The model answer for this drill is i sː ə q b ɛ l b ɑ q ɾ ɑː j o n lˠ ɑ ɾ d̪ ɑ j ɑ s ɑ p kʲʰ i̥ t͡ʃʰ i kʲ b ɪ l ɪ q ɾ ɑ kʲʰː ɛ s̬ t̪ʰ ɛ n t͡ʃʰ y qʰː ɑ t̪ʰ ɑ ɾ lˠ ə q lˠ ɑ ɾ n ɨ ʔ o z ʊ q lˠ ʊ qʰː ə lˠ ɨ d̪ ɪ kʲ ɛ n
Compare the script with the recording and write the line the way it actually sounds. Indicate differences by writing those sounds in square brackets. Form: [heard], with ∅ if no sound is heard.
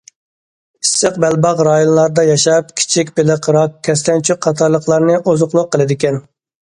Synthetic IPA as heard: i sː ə q b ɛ l b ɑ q ɾ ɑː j o n lˠ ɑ ɾ d̪ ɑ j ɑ [ʃ] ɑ p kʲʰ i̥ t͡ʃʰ i kʲ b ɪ l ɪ q ɾ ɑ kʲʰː ɛ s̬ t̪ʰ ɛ n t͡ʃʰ y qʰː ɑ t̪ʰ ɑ ɾ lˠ ə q lˠ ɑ ɾ n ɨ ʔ o z ʊ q lˠ ʊ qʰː ə lˠ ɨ d̪ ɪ kʲ ɛ n